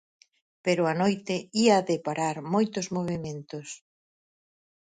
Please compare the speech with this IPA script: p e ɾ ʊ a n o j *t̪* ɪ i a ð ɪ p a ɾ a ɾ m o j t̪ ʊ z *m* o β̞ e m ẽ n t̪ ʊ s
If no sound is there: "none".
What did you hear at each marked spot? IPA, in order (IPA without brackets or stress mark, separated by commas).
t̪, m